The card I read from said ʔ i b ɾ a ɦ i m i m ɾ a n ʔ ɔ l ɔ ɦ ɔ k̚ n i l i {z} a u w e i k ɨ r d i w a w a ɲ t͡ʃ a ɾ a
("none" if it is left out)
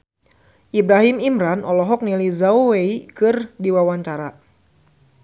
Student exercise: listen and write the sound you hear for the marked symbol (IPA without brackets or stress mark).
z